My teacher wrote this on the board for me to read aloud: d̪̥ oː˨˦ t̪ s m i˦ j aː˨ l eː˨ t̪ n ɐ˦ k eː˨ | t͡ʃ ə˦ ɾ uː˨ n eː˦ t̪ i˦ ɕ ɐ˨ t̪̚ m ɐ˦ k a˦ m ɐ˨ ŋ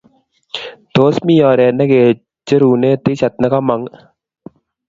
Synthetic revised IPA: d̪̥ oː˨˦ s m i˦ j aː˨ ɾ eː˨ n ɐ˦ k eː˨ | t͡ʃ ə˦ ɾ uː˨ n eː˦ t̪ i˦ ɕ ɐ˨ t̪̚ n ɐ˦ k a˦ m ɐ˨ ŋ